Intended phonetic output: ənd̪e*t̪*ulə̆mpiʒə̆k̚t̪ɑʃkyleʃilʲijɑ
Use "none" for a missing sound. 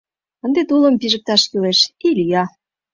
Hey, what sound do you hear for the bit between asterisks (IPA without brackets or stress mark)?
t̪